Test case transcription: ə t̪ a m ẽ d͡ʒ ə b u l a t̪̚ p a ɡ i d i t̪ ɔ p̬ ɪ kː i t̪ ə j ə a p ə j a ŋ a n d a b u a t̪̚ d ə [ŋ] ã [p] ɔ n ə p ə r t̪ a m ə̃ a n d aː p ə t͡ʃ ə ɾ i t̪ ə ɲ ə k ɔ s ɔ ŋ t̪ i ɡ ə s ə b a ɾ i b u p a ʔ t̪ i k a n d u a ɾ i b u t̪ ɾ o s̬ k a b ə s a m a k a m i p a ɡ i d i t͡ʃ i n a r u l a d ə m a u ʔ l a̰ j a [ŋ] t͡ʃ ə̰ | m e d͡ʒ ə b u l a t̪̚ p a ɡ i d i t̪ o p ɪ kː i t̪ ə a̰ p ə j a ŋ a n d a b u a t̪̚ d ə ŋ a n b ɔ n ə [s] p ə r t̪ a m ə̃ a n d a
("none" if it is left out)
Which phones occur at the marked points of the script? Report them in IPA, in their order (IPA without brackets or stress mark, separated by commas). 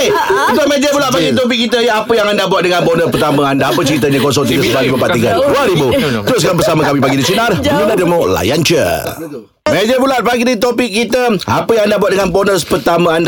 ŋ, b, n, s